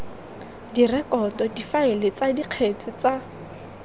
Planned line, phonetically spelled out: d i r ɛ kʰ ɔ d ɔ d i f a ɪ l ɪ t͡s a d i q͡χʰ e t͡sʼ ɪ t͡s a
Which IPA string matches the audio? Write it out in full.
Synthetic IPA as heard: d i r ɛ k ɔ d ɔ d i f a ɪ l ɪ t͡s a d i q͡χʰ e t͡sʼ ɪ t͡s a